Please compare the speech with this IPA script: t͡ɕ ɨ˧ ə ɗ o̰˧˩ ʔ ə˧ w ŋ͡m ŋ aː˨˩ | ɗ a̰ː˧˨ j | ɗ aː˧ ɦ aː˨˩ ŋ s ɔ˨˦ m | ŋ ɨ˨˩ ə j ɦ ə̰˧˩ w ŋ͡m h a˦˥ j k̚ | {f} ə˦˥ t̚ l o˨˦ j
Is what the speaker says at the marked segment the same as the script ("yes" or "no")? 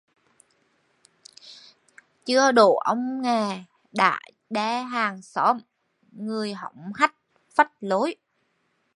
yes